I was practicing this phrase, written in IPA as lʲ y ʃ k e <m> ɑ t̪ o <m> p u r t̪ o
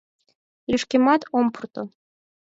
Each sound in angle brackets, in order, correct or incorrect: correct, correct

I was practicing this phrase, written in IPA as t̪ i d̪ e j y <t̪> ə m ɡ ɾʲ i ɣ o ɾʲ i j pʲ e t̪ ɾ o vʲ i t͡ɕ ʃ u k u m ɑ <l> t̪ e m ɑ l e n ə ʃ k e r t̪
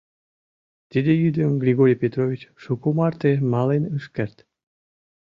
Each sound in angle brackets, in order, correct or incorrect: incorrect, incorrect

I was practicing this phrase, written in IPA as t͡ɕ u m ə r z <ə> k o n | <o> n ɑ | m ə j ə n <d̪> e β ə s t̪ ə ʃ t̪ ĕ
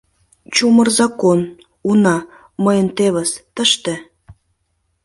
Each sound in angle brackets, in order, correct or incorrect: incorrect, incorrect, incorrect

